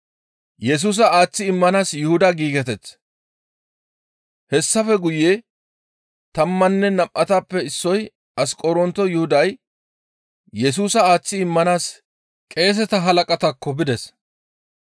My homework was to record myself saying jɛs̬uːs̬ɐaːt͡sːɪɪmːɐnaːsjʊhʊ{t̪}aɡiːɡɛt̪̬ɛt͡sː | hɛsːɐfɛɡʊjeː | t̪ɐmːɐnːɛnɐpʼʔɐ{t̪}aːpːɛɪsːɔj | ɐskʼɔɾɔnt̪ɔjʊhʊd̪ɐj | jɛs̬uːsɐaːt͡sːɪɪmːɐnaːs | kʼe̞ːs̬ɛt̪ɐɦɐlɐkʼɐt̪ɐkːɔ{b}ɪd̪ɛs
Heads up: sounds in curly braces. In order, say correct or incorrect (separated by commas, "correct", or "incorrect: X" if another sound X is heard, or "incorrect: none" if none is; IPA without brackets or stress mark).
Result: incorrect: d̪, correct, correct